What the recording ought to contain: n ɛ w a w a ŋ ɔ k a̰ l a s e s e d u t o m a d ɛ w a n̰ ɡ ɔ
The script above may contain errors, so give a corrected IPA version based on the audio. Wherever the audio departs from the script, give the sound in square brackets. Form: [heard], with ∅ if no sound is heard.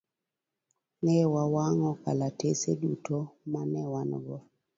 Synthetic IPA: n ɛ w a w a ŋ ɔ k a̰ l a [t] e s e d u t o m a [n] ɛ w a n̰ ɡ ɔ